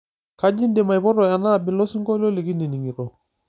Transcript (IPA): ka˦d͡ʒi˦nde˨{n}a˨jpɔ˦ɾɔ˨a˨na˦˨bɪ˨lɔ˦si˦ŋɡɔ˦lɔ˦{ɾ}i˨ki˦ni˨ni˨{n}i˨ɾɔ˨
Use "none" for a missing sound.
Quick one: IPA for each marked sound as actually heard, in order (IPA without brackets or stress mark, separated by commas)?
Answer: m, l, ŋ